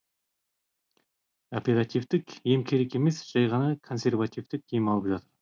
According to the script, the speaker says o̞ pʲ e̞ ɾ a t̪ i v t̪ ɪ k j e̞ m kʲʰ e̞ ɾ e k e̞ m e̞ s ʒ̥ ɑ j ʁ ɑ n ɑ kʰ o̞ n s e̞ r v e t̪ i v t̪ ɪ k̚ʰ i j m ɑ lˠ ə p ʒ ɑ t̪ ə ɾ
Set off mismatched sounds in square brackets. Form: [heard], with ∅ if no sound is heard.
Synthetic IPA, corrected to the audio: o̞ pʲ e̞ ɾ a t̪ i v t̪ ɪ k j e̞ m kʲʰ e̞ ɾ e k e̞ m e̞ s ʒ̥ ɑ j ʁ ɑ n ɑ kʰ o̞ n s e̞ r v [a] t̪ i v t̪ ɪ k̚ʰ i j m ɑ lˠ ə p ʒ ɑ t̪ ə ɾ